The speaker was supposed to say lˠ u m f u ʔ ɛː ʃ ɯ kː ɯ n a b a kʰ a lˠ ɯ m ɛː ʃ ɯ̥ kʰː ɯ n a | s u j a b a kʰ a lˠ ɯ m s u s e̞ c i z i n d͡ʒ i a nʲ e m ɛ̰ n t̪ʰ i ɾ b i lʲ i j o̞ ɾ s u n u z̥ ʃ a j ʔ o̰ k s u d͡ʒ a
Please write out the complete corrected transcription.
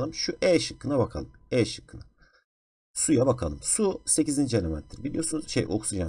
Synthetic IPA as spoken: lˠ ɯ m ʃ u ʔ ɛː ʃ ɯ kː ɯ n a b a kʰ a lˠ ɯ m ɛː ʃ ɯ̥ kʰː ɯ n a | s u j a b a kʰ a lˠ ɯ m s u s e̞ c i z i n d͡ʒ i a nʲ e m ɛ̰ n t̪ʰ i ɾ b i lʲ i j o̞ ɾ s u n u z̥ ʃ e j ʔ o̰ k s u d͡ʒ a